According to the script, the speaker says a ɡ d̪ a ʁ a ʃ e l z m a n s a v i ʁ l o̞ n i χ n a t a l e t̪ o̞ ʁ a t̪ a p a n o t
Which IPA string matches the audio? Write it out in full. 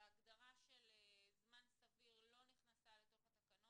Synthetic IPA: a ɡ d̪ a ʁ a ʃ e l z m a n s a v i ʁ l o̞ n i χ n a s a l e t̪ o̞ χ a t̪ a k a n o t

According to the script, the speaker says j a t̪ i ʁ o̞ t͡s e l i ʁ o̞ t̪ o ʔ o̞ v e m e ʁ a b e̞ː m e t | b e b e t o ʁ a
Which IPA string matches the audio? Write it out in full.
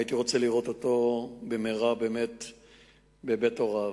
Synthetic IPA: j i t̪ i ʁ o̞ t͡s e l i ʁ o̞ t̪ o t o̞ b e m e ʁ a b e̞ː m e t | b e b e t o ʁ a

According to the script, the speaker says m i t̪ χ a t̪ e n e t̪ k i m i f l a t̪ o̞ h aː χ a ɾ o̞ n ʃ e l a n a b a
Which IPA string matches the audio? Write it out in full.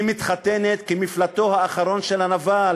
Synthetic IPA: m i t̪ χ a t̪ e n e t̪ k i m i f l a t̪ o̞ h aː χ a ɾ o̞ n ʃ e l a n a v a

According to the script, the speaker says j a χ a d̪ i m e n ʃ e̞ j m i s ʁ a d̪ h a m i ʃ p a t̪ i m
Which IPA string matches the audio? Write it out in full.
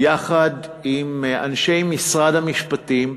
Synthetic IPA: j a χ a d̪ i m a n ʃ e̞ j m i s ʁ a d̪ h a m i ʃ p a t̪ i m

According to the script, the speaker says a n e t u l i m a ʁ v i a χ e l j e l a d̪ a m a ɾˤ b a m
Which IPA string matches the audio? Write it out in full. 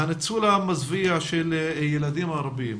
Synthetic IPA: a n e t͡s u l a m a z v i a ʃ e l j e l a d̪ i m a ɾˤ b i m

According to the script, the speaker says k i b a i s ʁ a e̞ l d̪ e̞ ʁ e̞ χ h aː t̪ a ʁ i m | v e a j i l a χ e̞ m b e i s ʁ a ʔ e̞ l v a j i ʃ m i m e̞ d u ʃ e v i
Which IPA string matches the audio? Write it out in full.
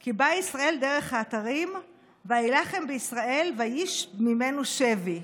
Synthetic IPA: k i b a i s ʁ a e̞ l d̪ e̞ ʁ e̞ χ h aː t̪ a ʁ i m | v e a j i l a χ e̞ m b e i s ʁ a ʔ e̞ l v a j i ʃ m i m e̞ n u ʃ e v i

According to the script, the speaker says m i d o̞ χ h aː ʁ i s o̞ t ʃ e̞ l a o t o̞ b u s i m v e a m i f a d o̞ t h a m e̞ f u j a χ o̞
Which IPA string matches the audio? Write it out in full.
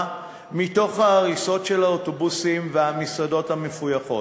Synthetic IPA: m i t o̞ χ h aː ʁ i s o̞ t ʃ e̞ l a o t o̞ b u s i m v e a m i s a d o̞ t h a m e̞ f u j a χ o̞

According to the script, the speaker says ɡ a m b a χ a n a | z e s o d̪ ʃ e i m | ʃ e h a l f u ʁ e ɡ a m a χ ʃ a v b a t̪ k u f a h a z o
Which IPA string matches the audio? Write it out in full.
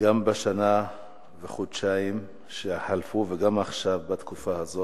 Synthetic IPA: ɡ a m b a ʃ a n a | v e χ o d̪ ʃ a i m | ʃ e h a l f u v e ɡ a m a χ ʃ a v b a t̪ k u f a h a z o

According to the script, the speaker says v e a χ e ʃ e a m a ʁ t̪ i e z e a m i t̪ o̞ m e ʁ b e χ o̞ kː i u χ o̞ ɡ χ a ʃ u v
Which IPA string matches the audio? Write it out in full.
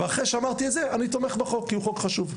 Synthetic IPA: v e a χ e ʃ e a m a ʁ t̪ i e z e a n i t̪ o̞ m e χ b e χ o̞ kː i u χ o̞ k χ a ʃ u v

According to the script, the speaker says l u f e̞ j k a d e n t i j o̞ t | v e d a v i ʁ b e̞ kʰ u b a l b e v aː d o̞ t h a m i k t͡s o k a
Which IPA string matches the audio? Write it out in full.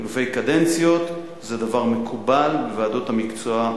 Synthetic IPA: l u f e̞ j k a d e n t͡s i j o̞ t | z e d a v a ʁ m e̞ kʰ u b a l b e v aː d o̞ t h a m i k t͡s o a

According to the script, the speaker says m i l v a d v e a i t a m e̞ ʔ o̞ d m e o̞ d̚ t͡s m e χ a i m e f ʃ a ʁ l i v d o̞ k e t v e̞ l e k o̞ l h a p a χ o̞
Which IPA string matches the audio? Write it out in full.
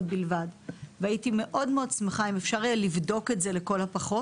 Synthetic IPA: b i l v a d v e a i t i m e̞ ʔ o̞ d m e o̞ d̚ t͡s m e χ a i m e f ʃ a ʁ l i v d o̞ k e t z e̞ l e k o̞ l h a p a χ o̞

